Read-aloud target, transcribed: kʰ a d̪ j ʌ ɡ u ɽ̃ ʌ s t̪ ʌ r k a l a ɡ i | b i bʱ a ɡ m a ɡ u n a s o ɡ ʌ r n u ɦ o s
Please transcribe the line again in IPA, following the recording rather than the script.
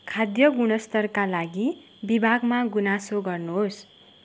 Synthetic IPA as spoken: kʰ a d̪ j ʌ ɡ u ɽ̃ ʌ s t̪ ʌ r k a l a ɡ i | b i bʱ a ɡ m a ɡ u n a s o ɡ ʌ r n u ɦ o s